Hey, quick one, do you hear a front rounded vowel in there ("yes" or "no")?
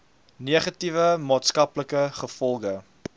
no